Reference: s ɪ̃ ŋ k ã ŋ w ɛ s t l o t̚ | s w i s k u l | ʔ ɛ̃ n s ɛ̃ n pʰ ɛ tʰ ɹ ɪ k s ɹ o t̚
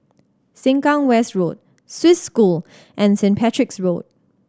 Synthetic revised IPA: s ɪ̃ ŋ k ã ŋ w ɛ s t ɹ o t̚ | s w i s k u l | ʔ ɛ̃ n s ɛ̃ n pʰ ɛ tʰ ɹ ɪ k s ɹ o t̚